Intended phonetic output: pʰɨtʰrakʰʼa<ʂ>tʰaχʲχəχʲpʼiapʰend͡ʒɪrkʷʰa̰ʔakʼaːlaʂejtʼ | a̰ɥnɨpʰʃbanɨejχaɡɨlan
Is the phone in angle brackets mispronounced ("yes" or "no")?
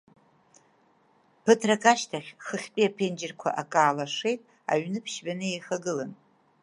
yes